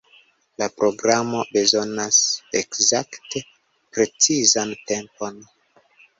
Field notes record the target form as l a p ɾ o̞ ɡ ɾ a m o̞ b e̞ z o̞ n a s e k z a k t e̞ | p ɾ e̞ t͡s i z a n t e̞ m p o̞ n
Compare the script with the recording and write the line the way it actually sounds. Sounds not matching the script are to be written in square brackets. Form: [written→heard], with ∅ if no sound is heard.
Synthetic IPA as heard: l a p ɾ o̞ ɡ ɾ a m o̞ b e̞ z o̞ n a s e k z a k t e̞ | p ɾ e̞ t͡s i z a n t e̞ m p o̞ n